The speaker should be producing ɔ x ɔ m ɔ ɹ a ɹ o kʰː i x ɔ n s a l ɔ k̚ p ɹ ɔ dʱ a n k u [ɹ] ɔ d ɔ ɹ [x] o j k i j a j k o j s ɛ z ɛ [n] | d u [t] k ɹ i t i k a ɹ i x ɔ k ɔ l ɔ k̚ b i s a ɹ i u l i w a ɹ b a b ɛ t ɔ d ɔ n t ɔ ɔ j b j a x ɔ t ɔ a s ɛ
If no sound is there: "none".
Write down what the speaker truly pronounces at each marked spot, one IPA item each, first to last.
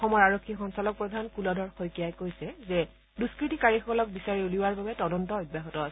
l, x, none, s

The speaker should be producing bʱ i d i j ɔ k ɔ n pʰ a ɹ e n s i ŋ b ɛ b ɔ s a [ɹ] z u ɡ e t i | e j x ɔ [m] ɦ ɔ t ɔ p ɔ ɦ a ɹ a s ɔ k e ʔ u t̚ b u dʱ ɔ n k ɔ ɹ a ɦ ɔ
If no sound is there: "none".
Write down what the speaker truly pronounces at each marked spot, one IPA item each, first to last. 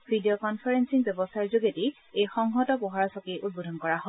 ɹ, ŋ

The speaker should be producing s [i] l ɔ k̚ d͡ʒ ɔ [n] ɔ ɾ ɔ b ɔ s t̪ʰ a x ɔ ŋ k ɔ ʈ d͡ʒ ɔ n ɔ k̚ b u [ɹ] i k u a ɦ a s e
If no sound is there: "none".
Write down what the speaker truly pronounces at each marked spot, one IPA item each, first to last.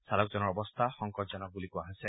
a, n, l

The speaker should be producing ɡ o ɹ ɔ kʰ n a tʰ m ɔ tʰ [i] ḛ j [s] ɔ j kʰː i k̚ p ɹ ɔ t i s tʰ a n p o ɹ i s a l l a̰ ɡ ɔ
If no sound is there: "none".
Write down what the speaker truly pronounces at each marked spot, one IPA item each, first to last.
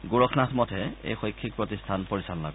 ɛ, x

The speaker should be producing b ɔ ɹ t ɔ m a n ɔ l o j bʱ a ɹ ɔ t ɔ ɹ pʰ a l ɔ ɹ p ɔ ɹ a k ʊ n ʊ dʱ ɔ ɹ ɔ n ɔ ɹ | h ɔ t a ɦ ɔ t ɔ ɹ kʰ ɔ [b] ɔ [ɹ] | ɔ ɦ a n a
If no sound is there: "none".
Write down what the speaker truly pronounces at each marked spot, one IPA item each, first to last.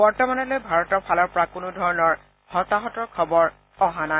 b, ɹ

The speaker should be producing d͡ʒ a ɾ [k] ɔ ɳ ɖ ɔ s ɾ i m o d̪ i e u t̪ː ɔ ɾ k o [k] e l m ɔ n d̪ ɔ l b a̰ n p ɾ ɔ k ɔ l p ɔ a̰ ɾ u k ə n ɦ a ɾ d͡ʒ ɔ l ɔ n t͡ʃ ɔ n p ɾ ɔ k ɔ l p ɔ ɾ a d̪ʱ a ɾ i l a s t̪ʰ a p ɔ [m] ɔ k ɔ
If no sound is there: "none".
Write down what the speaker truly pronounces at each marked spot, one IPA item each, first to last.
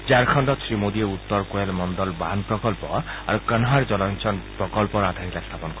kʰ, none, n

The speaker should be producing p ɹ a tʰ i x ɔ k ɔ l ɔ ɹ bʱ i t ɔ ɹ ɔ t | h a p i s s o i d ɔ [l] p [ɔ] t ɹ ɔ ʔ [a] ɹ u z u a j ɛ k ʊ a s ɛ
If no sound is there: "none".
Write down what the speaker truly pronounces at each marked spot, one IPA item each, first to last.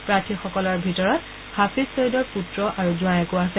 ɹ, u, a

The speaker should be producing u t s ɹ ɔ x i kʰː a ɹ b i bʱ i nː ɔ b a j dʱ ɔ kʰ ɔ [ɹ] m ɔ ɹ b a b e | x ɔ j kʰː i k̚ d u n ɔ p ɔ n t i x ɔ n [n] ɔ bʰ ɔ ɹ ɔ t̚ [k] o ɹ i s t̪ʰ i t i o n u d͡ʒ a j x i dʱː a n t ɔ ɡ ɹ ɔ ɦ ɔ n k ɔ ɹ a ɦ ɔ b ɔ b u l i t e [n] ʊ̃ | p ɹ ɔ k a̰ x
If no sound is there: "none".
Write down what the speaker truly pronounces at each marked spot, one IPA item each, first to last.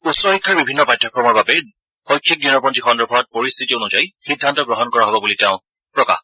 ɹ, d, p, none

